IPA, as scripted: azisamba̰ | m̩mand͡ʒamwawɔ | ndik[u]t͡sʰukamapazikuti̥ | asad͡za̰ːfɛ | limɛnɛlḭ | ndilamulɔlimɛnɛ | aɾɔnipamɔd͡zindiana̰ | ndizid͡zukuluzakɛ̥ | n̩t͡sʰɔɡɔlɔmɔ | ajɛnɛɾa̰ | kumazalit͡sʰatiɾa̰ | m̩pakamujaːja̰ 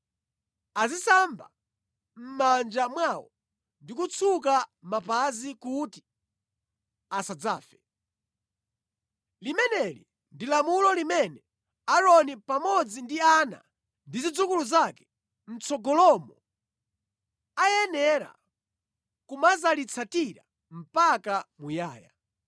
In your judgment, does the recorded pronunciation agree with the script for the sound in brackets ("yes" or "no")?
yes